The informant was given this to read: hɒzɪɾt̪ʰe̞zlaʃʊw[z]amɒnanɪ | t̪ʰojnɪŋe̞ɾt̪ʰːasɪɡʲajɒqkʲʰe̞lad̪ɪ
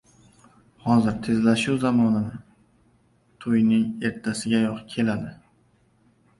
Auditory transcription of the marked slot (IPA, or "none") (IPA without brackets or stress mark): z